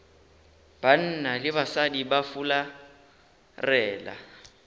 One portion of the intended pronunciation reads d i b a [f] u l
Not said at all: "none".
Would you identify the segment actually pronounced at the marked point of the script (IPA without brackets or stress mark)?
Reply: f